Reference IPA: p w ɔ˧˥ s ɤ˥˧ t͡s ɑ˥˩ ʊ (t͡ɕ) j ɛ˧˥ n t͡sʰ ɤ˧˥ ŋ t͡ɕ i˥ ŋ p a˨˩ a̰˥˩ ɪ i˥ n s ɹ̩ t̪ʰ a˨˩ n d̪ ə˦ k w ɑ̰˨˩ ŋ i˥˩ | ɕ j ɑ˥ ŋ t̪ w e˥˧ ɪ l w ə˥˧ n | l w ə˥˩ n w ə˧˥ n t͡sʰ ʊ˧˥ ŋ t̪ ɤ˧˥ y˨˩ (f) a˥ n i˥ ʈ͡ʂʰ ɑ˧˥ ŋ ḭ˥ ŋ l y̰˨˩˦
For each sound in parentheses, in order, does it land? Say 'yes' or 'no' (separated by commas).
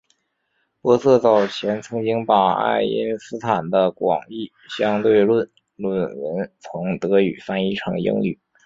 no, yes